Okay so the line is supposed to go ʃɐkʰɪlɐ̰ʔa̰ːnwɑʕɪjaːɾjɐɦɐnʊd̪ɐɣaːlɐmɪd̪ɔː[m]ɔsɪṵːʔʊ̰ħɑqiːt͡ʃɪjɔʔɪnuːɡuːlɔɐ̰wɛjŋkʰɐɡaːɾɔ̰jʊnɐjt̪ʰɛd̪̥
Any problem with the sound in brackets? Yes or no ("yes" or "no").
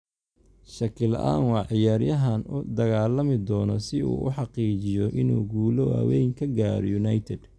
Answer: yes